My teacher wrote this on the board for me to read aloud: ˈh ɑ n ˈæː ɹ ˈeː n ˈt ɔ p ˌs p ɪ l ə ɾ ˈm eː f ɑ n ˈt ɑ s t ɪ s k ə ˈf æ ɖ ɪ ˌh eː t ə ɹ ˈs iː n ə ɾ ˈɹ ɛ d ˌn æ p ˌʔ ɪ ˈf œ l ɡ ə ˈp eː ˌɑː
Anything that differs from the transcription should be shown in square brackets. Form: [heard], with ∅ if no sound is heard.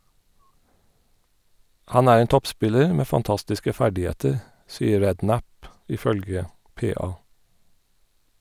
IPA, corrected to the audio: ˈh ɑ n ˈæː ɹ ˈeː n ˈt ɔ p ˌs p ɪ l ə [ɹ] ˈm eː f ɑ n ˈt ɑ s t ɪ s k ə ˈf æ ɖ ɪ ˌh eː t ə ɹ ˈs iː [∅] ə ɾ ˈɹ ɛ d ˌn æ p ˌʔ ɪ ˈf œ l ɡ ə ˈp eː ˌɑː